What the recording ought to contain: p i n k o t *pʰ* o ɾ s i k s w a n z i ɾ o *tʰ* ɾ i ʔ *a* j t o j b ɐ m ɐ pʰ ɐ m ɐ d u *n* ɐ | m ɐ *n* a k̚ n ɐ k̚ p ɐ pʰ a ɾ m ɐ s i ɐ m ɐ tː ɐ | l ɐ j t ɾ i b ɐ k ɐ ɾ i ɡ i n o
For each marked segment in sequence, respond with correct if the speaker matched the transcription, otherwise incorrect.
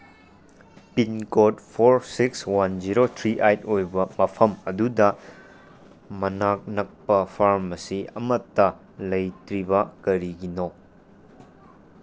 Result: correct, correct, correct, incorrect, correct

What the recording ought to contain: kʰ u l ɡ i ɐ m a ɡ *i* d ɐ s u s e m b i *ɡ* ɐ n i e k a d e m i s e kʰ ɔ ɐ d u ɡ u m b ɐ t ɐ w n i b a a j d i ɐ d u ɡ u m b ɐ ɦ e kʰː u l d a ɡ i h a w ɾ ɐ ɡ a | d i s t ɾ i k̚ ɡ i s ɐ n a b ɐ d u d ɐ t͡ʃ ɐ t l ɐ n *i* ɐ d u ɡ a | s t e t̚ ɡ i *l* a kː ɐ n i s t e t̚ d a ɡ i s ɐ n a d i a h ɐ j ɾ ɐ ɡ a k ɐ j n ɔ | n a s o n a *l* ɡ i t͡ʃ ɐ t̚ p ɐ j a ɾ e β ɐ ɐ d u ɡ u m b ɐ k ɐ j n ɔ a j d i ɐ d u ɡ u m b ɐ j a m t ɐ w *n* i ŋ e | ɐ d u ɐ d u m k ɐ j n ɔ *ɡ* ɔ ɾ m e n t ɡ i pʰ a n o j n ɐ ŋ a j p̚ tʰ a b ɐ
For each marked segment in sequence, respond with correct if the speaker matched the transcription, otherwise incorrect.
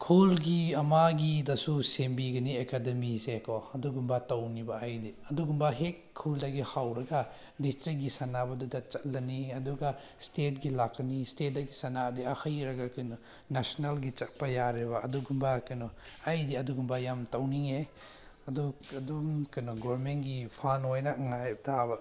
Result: correct, correct, correct, correct, correct, correct, correct

